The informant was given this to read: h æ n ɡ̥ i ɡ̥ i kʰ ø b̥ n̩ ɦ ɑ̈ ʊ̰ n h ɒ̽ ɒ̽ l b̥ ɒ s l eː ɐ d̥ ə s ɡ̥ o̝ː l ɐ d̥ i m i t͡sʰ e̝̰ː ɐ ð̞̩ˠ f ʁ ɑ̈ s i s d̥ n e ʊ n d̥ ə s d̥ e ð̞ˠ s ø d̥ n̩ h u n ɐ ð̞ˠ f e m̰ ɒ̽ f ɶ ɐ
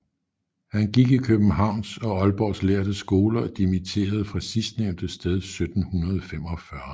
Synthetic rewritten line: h æ n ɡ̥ i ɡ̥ i kʰ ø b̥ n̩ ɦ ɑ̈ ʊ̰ n s ɒ̽ ɒ̽ l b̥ ɒ s l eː ɐ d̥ ə s ɡ̥ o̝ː l ɐ d̥ i m i t͡sʰ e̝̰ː ɐ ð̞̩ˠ f ʁ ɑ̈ s i s d̥ n e ʊ n d̥ ə s d̥ e ð̞ˠ s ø d̥ n̩ h u n ɐ ð̞ˠ f e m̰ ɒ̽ f ɶ ɐ